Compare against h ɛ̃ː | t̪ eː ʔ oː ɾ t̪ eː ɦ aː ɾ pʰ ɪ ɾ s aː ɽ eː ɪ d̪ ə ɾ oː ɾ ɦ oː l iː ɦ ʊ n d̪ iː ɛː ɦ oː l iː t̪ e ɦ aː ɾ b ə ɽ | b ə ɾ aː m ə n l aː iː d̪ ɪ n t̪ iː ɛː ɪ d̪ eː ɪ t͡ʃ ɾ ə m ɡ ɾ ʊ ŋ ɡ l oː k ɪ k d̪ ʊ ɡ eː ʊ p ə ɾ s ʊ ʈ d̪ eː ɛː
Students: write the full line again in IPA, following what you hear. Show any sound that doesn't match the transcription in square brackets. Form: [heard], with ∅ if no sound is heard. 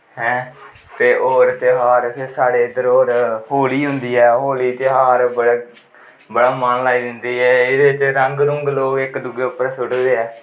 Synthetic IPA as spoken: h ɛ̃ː | t̪ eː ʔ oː ɾ t̪ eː ɦ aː ɾ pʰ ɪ ɾ s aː ɽ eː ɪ d̪ ə ɾ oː ɾ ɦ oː l iː ɦ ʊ n d̪ iː ɛː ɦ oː l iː t̪ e ɦ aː ɾ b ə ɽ | b ə [ɽ] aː m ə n l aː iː d̪ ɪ n [d̪] iː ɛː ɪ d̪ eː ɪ t͡ʃ ɾ ə [ŋ] ɡ ɾ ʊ ŋ ɡ l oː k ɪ k d̪ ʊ ɡ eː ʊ p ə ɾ s ʊ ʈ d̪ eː ɛː